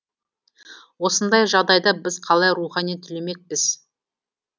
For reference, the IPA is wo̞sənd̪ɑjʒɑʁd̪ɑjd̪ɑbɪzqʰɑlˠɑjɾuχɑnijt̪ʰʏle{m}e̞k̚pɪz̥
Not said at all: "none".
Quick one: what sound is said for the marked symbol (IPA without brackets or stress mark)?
m